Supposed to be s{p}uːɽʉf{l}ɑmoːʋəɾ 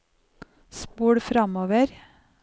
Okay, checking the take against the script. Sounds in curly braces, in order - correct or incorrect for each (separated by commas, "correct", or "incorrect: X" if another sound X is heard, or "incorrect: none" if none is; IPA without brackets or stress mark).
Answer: correct, incorrect: ɾ